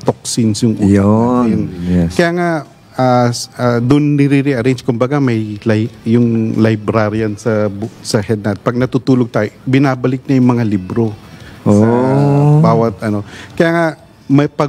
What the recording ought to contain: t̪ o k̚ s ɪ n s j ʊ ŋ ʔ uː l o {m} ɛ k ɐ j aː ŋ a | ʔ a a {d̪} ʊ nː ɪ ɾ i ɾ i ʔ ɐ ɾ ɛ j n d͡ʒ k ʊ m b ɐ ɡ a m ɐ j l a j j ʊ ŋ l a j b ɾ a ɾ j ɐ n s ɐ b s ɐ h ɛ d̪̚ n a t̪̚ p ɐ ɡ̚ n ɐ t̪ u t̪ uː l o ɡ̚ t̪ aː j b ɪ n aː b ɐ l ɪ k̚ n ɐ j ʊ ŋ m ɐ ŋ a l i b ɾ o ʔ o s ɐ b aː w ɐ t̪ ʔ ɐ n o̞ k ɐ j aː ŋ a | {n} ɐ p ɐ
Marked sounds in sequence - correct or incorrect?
incorrect, correct, incorrect

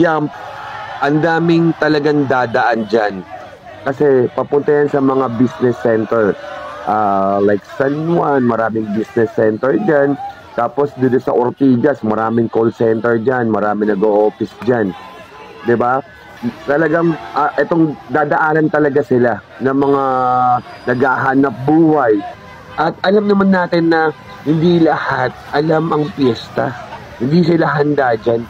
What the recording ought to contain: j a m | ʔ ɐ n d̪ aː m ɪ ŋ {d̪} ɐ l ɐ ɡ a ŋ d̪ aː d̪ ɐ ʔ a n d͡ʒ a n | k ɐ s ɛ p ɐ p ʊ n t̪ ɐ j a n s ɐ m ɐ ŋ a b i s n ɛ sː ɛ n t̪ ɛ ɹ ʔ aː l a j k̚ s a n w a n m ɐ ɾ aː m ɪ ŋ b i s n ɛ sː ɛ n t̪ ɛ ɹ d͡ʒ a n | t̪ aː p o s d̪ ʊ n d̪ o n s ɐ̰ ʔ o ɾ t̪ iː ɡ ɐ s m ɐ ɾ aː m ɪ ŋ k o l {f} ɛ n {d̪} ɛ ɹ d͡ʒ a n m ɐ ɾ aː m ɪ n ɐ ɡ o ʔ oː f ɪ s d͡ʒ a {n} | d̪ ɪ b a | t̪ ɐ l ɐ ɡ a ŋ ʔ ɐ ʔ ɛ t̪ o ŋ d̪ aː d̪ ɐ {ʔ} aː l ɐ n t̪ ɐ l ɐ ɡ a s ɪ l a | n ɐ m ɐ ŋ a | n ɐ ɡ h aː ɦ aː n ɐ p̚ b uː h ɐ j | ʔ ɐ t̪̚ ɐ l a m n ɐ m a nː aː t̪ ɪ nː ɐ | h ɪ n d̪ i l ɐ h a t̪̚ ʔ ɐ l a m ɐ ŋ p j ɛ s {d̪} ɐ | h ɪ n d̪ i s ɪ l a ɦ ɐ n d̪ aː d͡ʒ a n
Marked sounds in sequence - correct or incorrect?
incorrect, incorrect, incorrect, correct, correct, incorrect

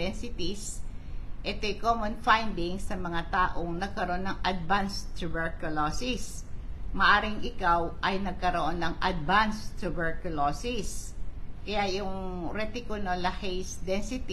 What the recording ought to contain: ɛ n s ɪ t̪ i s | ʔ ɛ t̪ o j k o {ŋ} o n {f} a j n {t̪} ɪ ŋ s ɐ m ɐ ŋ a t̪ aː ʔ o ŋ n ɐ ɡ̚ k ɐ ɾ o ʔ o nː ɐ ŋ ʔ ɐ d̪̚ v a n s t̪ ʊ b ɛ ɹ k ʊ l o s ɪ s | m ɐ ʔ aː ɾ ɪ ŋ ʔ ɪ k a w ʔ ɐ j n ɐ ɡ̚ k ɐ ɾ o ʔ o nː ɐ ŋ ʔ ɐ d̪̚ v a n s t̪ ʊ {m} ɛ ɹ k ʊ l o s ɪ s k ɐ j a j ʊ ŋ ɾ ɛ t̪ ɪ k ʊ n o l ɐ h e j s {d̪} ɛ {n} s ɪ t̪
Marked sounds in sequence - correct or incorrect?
incorrect, correct, incorrect, incorrect, correct, correct

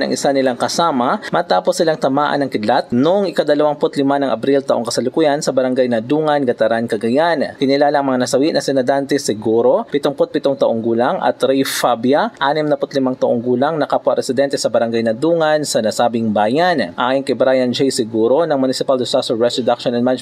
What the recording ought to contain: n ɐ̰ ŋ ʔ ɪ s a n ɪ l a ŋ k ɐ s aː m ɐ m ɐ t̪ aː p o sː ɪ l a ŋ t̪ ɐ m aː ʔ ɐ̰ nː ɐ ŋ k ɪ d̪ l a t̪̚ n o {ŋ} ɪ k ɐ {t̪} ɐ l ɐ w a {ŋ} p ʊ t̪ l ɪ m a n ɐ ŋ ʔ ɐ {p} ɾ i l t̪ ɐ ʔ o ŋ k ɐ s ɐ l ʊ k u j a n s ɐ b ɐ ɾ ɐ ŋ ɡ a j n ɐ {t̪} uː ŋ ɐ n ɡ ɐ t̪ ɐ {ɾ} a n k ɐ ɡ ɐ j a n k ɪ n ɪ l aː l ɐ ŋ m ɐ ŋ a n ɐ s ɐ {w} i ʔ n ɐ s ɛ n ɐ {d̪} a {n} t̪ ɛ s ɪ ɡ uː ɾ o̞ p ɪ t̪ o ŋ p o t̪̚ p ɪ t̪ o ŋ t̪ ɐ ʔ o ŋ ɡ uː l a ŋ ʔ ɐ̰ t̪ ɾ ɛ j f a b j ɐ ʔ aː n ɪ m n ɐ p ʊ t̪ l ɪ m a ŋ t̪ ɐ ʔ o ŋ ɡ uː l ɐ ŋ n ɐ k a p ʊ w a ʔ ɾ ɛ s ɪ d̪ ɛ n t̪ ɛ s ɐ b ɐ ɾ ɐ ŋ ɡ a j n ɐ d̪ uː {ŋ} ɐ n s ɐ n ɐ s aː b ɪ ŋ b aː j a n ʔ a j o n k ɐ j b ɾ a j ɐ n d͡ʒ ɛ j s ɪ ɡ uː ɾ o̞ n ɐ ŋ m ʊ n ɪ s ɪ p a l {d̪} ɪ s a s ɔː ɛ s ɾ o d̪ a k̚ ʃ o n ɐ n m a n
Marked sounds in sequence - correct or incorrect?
correct, incorrect, correct, incorrect, incorrect, correct, correct, correct, correct, correct, correct

